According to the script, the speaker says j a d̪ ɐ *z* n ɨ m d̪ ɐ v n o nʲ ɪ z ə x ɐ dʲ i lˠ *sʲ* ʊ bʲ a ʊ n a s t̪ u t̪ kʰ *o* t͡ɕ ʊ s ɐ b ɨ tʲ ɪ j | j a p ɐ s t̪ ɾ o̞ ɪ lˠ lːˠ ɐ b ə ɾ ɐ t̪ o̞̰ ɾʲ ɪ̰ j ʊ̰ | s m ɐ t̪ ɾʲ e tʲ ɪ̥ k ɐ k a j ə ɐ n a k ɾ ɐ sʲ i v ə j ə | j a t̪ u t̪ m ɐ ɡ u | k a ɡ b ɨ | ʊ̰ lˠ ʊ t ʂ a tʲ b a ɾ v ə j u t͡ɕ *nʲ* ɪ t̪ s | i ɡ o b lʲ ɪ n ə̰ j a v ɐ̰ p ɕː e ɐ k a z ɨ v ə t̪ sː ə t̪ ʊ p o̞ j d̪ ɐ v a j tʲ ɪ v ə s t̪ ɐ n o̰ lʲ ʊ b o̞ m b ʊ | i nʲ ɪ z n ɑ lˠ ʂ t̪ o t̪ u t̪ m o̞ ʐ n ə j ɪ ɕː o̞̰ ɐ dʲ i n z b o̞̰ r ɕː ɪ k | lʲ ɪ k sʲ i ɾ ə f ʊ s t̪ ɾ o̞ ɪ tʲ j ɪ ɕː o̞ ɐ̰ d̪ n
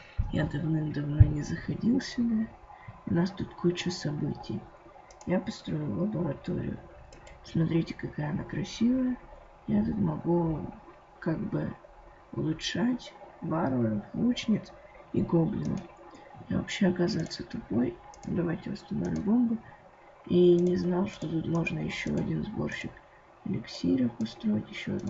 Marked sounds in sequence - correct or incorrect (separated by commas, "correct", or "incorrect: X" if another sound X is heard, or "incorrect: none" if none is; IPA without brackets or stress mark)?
incorrect: v, correct, incorrect: u, correct